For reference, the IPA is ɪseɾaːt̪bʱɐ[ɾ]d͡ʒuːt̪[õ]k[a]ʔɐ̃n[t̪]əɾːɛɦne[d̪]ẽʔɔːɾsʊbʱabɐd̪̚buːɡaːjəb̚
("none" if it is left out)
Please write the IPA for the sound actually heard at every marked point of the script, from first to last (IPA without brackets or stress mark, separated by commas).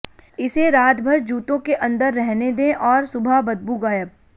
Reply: ɾ, õ, e, d̪, d̪